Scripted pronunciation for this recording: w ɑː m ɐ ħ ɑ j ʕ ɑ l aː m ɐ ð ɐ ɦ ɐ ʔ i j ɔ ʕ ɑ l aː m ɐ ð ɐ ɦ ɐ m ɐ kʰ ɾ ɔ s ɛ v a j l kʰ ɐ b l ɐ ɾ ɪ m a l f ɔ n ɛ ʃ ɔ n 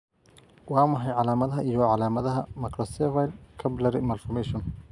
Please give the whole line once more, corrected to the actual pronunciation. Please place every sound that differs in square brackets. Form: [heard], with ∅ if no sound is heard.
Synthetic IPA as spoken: w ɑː m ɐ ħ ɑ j ʕ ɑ l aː m ɐ ð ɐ ɦ ɐ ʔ i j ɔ ʕ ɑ l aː m ɐ ð ɐ ɦ ɐ m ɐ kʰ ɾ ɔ s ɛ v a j l kʰ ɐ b l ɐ ɾ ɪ m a l f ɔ [m] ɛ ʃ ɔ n